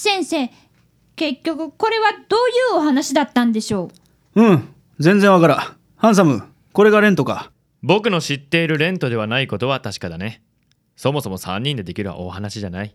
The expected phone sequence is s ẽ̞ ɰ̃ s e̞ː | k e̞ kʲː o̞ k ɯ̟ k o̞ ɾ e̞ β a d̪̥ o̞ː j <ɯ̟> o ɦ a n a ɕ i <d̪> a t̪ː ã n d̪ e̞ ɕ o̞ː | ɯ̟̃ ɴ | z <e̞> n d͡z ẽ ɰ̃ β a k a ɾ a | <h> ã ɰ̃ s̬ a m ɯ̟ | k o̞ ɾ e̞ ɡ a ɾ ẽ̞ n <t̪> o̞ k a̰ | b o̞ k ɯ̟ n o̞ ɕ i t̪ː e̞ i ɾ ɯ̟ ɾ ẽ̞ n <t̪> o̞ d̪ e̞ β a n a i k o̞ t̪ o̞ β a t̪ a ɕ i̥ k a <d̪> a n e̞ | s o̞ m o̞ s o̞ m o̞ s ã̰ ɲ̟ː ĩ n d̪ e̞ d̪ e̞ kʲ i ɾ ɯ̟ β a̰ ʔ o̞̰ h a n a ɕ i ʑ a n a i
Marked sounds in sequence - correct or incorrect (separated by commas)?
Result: incorrect, correct, incorrect, correct, correct, correct, correct